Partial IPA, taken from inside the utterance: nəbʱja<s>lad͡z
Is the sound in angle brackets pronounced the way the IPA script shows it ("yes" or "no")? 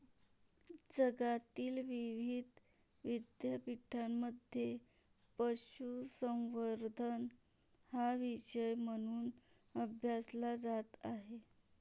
yes